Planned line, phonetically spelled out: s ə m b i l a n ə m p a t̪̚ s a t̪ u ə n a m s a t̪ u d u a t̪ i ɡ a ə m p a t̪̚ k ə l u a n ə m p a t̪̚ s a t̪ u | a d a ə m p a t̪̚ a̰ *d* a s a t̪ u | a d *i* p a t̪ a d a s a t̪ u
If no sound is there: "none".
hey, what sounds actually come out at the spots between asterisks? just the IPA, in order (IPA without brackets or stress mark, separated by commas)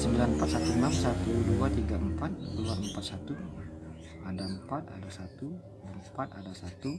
d, a